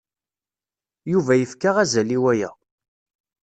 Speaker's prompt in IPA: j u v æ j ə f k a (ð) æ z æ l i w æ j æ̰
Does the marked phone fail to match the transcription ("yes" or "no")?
yes